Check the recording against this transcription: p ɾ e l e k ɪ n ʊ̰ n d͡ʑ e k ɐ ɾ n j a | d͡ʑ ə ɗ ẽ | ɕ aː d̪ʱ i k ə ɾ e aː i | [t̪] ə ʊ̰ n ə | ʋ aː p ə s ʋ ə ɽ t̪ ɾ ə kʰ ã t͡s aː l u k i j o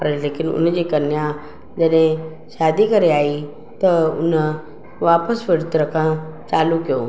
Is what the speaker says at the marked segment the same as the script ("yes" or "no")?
yes